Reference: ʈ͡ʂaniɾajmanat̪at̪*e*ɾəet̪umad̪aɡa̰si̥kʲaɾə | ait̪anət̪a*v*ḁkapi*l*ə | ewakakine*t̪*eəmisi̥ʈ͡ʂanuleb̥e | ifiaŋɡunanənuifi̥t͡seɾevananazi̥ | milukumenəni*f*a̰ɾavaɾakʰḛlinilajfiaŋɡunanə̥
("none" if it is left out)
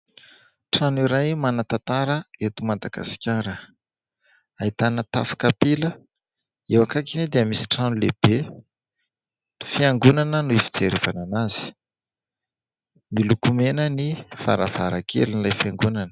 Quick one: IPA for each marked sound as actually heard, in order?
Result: a, f, l, d̪, f

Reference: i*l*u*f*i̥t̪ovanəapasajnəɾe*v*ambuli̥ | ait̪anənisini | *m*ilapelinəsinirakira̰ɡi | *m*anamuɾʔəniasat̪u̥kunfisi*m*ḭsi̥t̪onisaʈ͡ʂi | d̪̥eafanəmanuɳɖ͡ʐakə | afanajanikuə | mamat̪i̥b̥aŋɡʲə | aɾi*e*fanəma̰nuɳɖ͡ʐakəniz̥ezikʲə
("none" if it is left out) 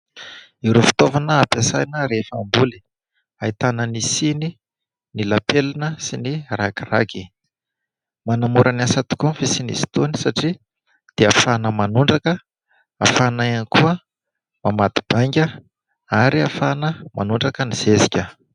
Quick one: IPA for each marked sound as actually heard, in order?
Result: ɾ, f, f, n, m, n, a

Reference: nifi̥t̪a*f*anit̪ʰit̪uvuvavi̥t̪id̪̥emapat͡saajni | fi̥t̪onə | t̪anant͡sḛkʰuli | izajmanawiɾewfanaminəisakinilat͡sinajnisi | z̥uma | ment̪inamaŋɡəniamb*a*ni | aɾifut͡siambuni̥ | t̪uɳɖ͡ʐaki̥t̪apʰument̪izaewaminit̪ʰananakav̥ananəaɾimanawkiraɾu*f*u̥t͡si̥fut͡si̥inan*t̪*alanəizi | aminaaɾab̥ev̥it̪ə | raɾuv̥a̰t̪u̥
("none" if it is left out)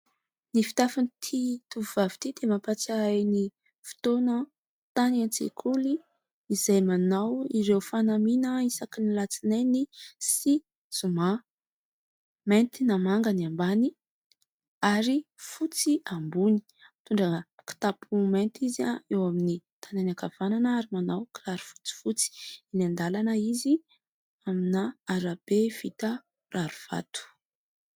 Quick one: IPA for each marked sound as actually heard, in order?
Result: f, a, f, d̪

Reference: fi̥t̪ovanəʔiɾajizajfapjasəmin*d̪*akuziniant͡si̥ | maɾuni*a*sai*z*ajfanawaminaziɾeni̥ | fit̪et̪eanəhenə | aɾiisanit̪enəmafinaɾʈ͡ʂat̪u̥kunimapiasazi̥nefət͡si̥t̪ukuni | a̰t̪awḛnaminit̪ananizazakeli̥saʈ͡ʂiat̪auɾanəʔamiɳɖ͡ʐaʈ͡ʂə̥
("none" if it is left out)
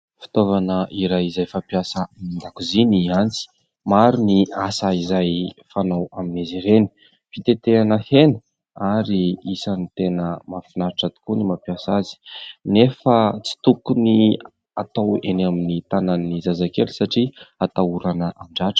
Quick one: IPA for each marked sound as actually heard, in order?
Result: d̪, a, z

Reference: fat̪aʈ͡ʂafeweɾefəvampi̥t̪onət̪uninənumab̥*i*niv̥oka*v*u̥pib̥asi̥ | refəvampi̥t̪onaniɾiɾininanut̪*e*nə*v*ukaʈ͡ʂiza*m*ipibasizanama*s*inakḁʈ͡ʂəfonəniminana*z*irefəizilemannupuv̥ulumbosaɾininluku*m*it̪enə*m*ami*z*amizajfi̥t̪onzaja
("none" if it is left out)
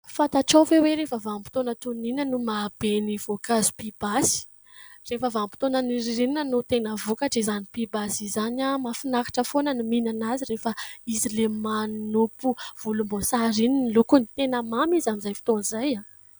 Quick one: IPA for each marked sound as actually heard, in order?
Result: e, z, e, v, n, f, z, n, m, z

